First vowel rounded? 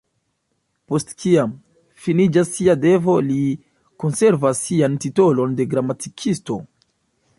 yes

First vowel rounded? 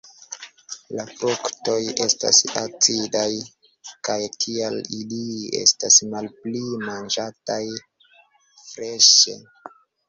no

